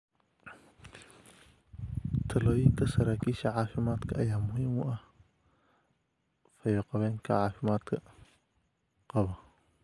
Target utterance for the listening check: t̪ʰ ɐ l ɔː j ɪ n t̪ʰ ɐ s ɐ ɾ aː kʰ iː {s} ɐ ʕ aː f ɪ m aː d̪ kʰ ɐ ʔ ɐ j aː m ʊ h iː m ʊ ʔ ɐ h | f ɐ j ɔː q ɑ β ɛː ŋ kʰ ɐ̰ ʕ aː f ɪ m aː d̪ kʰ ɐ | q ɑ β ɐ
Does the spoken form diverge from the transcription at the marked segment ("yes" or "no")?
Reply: yes